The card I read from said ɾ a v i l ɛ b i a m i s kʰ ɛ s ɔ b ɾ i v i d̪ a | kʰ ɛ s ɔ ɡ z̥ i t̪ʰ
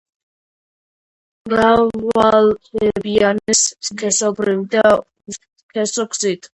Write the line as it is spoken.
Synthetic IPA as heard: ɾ a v a l ɛ b i a n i s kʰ ɛ s ɔ b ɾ i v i d̪ a | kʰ ɛ s ɔ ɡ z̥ i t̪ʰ